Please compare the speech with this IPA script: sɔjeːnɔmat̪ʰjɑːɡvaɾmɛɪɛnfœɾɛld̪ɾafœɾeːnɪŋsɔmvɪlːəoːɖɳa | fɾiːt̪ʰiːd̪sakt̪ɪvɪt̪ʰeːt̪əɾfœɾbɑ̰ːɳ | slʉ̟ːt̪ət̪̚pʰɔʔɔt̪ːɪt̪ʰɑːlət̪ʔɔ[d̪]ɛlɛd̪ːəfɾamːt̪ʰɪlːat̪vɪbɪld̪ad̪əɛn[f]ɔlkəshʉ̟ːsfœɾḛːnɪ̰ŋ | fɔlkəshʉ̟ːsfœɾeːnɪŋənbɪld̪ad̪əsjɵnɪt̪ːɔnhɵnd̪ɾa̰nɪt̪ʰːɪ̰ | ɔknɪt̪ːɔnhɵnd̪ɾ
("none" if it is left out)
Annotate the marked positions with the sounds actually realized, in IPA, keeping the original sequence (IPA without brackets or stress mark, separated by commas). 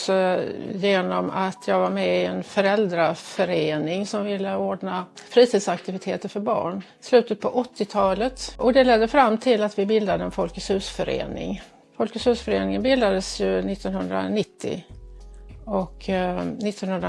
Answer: d̪, f